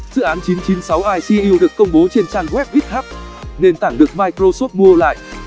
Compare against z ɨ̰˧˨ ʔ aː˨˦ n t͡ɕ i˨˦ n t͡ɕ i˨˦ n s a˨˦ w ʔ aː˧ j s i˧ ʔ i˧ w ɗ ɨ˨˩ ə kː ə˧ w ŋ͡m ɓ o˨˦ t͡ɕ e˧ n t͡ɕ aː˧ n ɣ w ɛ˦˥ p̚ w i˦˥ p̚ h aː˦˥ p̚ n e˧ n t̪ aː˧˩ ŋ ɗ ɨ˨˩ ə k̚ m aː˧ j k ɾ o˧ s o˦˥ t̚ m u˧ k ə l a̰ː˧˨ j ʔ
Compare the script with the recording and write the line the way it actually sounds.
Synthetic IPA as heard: z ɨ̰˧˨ ʔ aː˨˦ n t͡ɕ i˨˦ n t͡ɕ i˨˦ n s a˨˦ w ʔ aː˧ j s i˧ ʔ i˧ w ɗ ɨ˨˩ ə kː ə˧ w ŋ͡m ɓ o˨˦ t͡ɕ e˧ n t͡ɕ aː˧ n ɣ w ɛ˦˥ p̚ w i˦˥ t̚ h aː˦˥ p̚ n e˧ n t̪ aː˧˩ ŋ ɗ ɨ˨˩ ə k̚ m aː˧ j k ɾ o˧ s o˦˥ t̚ m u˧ ə l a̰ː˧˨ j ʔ